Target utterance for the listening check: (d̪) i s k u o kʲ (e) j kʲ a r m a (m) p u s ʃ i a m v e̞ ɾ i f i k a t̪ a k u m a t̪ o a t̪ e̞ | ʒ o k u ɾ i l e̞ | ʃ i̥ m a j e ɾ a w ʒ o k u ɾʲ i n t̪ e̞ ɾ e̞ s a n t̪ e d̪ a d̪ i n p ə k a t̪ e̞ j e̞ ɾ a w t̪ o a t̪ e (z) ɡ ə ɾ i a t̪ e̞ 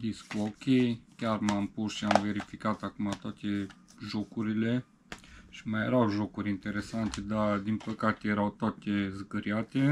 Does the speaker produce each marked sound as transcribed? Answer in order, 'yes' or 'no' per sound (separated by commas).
yes, yes, yes, yes